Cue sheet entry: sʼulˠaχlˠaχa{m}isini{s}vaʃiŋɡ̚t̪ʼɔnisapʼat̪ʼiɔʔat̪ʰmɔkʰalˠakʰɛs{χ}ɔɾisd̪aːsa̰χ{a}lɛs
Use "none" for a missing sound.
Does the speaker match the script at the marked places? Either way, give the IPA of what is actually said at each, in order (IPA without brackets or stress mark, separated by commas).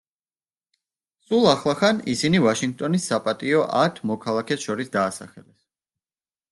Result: n, none, ʃ, ɛ